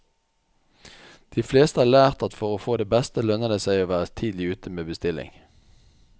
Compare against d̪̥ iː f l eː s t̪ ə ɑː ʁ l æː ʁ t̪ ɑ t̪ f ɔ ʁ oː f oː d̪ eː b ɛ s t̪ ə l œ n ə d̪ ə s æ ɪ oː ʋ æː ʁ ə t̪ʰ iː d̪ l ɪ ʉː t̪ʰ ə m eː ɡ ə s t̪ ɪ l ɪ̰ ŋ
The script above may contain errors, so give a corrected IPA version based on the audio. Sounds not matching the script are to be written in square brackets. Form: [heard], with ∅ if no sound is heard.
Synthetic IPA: d̪̥ iː f l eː s t̪ ə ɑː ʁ l æː ʁ t̪ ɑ t̪ f ɔ ʁ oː f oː d̪ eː b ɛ s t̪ ə l œ n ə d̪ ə s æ ɪ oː ʋ æː ʁ ə t̪ʰ iː d̪ l ɪ ʉː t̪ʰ ə m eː [b] ə s t̪ ɪ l ɪ̰ ŋ